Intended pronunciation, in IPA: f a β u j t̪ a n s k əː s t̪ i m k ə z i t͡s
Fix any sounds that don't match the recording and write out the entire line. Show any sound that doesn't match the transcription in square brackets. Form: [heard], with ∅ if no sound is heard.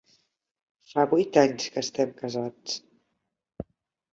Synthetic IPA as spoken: f a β u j t̪ a [ɲ] s k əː s t̪ [ɛ] m k ə z [a] t͡s